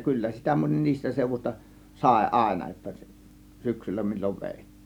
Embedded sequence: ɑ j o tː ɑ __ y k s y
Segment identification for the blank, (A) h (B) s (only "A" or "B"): B